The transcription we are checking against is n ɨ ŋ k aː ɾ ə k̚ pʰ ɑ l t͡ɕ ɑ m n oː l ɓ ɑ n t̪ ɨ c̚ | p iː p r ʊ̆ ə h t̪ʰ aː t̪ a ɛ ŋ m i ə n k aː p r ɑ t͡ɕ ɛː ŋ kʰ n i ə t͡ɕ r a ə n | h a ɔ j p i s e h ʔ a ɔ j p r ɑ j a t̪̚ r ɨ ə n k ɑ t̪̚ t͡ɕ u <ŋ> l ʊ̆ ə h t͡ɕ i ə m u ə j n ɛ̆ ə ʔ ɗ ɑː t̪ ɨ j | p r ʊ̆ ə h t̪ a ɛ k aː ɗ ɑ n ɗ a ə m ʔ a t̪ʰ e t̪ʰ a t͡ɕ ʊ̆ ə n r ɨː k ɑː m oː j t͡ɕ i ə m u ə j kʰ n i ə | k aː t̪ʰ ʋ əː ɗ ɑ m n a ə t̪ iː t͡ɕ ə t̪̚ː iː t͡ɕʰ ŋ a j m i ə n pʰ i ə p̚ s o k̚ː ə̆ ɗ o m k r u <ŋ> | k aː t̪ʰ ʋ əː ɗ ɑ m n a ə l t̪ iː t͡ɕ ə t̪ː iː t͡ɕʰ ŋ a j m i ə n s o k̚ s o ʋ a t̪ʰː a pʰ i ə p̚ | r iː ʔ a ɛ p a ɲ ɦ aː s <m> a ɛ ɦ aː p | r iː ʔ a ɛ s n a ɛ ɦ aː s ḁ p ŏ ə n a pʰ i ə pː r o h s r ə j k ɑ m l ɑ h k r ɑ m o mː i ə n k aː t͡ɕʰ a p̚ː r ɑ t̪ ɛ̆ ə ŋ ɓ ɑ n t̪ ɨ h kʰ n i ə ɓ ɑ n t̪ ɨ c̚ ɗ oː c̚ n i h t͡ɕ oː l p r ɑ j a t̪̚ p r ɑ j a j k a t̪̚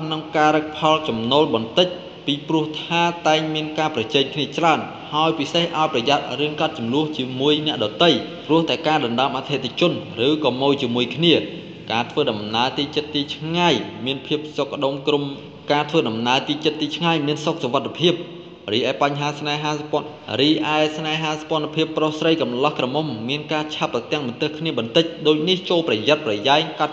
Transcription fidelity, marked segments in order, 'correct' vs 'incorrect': incorrect, incorrect, incorrect

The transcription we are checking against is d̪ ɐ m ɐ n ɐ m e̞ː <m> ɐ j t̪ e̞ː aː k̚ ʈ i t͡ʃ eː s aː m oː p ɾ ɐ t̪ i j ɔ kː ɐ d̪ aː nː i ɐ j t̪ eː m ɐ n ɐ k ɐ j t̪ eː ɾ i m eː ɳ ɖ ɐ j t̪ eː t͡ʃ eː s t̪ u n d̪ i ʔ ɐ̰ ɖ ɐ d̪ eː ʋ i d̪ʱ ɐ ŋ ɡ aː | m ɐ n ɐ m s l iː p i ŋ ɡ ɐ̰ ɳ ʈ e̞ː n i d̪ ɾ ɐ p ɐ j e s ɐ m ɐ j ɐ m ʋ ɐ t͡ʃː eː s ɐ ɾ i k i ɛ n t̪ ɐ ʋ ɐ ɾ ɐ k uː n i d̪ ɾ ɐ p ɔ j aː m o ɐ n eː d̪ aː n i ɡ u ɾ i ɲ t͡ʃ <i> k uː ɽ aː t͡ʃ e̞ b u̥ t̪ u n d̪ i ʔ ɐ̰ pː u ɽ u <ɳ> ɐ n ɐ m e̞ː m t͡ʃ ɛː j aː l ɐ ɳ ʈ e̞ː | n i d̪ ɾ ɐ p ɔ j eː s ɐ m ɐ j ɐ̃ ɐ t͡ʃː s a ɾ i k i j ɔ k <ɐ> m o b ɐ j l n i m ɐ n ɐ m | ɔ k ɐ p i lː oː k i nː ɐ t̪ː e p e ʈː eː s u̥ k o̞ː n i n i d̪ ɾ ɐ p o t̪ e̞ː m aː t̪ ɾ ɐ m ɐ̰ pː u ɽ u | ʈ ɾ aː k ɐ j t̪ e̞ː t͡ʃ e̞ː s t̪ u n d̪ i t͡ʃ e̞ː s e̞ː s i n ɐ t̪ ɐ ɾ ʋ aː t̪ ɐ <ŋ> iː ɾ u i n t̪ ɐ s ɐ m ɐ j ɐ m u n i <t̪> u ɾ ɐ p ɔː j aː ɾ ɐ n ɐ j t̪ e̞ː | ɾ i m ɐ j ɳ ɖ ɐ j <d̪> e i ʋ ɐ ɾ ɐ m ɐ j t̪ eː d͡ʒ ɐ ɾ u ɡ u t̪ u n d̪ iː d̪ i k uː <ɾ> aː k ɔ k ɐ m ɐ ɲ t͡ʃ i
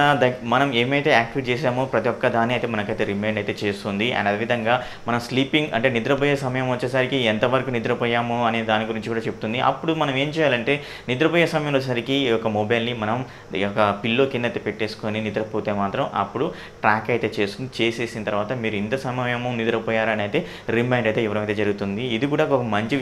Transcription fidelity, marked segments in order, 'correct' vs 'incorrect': correct, correct, incorrect, correct, incorrect, incorrect, incorrect, incorrect

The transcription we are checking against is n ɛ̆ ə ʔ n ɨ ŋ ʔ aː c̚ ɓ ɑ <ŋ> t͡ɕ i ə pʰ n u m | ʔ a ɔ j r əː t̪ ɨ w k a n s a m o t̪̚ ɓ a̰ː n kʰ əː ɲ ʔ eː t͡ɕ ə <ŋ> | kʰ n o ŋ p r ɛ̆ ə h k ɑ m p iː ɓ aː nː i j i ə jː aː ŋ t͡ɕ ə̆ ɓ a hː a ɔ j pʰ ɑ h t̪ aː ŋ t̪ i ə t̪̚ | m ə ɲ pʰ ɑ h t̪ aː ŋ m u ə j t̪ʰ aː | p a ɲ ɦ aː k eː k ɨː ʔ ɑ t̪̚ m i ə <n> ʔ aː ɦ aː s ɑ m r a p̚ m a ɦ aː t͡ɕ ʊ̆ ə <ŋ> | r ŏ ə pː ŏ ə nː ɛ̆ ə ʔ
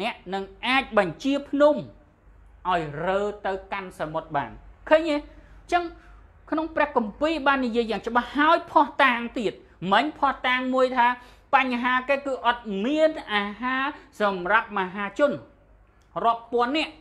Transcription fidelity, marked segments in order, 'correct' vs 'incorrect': incorrect, correct, correct, incorrect

